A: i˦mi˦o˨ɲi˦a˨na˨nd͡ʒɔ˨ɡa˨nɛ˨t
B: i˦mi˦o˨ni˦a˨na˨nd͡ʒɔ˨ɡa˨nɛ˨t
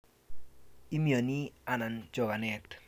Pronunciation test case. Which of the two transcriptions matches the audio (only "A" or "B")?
B